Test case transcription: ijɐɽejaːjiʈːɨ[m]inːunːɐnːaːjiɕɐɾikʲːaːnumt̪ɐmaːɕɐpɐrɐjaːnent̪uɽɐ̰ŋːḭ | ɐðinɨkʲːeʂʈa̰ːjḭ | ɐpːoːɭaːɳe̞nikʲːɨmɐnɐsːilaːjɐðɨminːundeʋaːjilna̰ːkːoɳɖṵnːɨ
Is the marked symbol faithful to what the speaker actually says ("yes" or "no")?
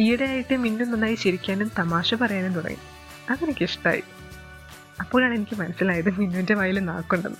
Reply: yes